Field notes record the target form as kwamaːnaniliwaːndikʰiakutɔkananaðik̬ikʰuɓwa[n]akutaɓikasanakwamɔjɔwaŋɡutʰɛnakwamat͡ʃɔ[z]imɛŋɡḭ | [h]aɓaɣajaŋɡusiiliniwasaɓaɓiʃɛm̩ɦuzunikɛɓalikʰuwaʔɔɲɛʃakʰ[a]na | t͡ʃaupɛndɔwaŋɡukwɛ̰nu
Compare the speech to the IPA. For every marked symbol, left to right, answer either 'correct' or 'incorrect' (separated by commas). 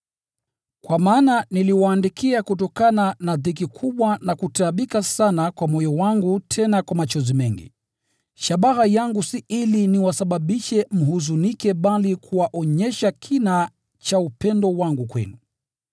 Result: correct, correct, incorrect, incorrect